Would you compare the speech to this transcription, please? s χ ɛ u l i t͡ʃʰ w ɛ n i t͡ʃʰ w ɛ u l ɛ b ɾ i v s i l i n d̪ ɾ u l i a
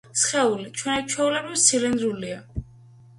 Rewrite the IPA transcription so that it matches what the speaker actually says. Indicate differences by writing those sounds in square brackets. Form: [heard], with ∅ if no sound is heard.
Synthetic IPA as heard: s χ ɛ u l i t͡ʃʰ w ɛ n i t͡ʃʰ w ɛ u l ɛ b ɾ i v s i l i n d̪ ɾ u l i a

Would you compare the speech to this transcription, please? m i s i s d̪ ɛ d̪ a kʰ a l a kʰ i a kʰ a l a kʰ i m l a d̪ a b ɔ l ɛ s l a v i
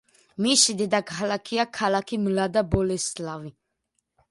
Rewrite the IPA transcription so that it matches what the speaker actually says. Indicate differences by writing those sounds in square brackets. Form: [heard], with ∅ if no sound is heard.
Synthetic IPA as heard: m i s i [∅] d̪ ɛ d̪ a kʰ a l a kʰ i a kʰ a l a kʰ i m l a d̪ a b ɔ l ɛ s l a v i

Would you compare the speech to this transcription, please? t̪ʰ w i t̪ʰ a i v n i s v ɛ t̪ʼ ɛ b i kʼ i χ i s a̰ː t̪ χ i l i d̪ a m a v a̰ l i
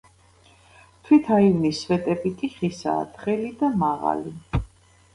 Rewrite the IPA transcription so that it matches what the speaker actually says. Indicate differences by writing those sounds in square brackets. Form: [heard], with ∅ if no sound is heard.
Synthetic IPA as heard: t̪ʰ w i t̪ʰ a i v n i s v ɛ t̪ʼ ɛ b i kʼ i χ i s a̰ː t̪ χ [ɛ] l i d̪ a m a [ʁ] a̰ l i

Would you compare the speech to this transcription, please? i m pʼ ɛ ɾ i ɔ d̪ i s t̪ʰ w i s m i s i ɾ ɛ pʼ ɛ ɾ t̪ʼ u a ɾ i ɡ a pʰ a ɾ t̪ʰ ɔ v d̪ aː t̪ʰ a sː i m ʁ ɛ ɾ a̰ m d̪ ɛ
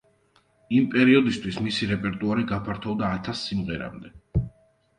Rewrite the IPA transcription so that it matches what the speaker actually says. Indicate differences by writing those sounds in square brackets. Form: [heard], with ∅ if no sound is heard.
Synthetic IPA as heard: i m pʼ ɛ ɾ i ɔ d̪ i s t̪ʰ w i s m i s i ɾ ɛ pʼ ɛ ɾ t̪ʼ u a ɾ i ɡ a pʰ a ɾ t̪ʰ ɔ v d̪ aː t̪ʰ a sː i m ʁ ɛ ɾ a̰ m d̪ ɛ

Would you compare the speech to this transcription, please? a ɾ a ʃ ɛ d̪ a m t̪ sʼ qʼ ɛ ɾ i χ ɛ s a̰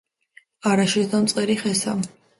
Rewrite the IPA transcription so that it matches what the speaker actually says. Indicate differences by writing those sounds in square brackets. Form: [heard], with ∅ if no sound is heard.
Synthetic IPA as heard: a ɾ a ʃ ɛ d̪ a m t̪ sʼ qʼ ɛ ɾ i χ ɛ s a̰

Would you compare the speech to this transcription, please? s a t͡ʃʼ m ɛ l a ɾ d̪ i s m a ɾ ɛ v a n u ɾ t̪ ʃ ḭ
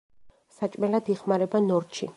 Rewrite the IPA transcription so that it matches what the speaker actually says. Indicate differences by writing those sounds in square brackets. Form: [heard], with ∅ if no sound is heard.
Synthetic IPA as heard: s a t͡ʃʼ m ɛ l a [∅] d̪ i [χ] m a ɾ ɛ [b] a n [ɔ] ɾ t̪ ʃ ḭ

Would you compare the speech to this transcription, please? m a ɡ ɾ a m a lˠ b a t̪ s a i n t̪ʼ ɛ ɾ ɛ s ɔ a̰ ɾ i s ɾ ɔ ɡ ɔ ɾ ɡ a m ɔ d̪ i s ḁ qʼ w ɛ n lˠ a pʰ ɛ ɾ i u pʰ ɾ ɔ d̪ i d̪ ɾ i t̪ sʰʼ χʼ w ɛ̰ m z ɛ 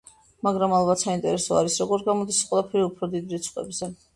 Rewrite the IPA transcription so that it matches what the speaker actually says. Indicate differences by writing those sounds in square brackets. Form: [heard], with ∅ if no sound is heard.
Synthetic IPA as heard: m a ɡ ɾ a m a lˠ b a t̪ s a i n t̪ʼ ɛ ɾ ɛ s ɔ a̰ ɾ i s ɾ ɔ ɡ ɔ ɾ ɡ a m ɔ d̪ i s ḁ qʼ w ɛ [∅] lˠ a pʰ ɛ ɾ i u pʰ ɾ ɔ d̪ i d̪ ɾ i t̪ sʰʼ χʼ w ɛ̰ [b] z ɛ

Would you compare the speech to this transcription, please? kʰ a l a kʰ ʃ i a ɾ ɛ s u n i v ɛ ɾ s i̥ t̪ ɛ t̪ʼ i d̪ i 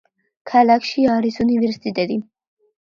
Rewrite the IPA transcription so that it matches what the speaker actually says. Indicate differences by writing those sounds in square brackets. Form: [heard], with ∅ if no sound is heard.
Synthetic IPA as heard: kʰ a l a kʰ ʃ i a ɾ [i] s u n i v ɛ ɾ s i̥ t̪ [i] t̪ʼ [ɛ] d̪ i

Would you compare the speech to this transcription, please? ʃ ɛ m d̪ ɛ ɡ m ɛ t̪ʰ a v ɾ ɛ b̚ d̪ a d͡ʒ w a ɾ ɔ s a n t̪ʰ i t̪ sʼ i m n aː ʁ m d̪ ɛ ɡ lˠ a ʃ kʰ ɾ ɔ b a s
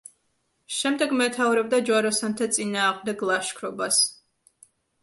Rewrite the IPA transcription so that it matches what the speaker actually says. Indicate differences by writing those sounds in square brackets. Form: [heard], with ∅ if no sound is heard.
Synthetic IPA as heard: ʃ ɛ m d̪ ɛ ɡ m ɛ t̪ʰ a v ɾ ɛ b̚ d̪ a d͡ʒ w a ɾ ɔ s a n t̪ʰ [a] t̪ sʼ i [∅] n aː ʁ m d̪ ɛ ɡ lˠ a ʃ kʰ ɾ ɔ b a s

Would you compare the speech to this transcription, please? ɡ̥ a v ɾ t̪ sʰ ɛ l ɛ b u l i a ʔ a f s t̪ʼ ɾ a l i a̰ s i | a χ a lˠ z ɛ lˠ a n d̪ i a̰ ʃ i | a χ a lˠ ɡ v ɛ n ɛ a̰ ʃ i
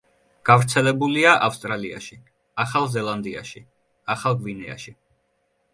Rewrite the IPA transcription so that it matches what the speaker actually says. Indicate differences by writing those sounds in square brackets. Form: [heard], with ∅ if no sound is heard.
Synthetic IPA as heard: ɡ̥ a v ɾ t̪ sʰ ɛ l ɛ b u l i a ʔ a f s t̪ʼ ɾ a l i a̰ [ʃ] i | a χ a lˠ z ɛ lˠ a n d̪ i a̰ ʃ i | a χ a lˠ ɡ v [i] n ɛ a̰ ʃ i

